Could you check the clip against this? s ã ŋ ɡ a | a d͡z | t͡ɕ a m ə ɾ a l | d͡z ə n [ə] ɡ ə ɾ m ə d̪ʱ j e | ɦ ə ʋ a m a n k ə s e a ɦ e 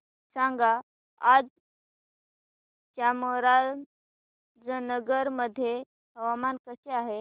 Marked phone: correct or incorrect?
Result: correct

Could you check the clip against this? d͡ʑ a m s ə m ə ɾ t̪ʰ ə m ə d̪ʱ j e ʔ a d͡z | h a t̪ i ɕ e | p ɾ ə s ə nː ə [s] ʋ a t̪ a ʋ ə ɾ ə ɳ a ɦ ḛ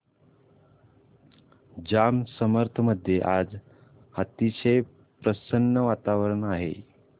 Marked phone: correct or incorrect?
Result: incorrect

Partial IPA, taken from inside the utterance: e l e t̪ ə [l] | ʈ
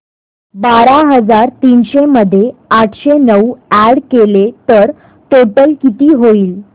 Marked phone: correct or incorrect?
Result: incorrect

